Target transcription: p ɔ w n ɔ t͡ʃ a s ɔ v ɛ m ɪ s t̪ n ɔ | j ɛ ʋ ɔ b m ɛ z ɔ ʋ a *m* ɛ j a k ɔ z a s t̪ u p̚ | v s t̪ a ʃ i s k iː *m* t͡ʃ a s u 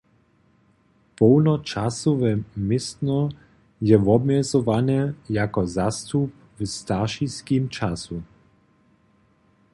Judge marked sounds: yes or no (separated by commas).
no, yes